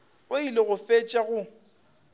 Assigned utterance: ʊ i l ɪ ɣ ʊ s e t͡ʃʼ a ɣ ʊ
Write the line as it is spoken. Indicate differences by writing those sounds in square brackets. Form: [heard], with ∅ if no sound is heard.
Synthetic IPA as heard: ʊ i l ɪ ɣ ʊ [f] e t͡ʃʼ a ɣ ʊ